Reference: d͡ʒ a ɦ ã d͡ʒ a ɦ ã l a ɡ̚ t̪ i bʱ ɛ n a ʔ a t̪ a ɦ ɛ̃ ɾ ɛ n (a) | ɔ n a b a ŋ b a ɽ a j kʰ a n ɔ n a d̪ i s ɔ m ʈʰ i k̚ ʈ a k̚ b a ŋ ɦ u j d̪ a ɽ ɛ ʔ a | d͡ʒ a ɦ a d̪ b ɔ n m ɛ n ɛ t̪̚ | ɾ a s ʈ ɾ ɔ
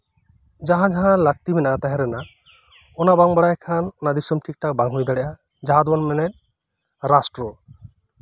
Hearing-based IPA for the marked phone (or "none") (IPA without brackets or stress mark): a